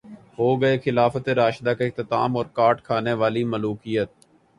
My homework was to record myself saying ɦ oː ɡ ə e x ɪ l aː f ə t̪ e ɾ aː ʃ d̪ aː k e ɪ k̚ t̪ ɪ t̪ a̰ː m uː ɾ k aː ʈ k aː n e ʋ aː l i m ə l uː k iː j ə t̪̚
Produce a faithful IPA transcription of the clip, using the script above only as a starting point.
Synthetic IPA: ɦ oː ɡ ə e x ɪ l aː f ə t̪ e ɾ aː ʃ d̪ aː k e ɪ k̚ t̪ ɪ t̪ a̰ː m ɔː ɾ k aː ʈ kʰ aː n e ʋ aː l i m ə l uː k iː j ə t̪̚

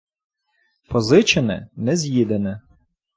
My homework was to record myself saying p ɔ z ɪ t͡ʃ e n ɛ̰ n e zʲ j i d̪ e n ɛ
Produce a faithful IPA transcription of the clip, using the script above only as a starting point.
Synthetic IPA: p ɔ z ɪ t͡ʃ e n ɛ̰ n ɛ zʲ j i d̪ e n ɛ

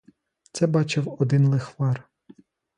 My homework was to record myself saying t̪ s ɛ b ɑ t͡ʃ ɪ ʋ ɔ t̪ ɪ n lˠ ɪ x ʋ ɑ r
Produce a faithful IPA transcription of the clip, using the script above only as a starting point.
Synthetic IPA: t̪ s ɛ b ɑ t͡ʃ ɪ w ɔ d̪ ɪ n lˠ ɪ x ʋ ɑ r

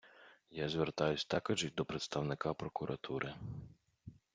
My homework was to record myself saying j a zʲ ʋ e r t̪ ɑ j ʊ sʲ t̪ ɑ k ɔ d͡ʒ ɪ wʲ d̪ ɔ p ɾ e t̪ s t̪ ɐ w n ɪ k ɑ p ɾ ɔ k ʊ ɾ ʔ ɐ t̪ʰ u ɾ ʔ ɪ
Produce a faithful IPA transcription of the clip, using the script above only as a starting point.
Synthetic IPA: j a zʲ ʋ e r t̪ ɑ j ʊ sʲ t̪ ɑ k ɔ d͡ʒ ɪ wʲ d̪ ɔ p ɾ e t̪ s t̪ ɐ w n ɪ k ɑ p ɾ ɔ k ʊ ɾ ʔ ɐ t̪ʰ u ɾ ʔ ɪ

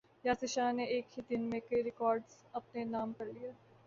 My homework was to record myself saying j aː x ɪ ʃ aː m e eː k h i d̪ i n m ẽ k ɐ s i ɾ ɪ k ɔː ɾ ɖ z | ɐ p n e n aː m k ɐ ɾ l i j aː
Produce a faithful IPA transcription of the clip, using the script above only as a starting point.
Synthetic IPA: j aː s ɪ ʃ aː n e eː k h i d̪ ɪ n m ẽ k ɐ i ɾ ɪ k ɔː ɾ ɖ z | ɐ p n e n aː m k ɐ ɾ l i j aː

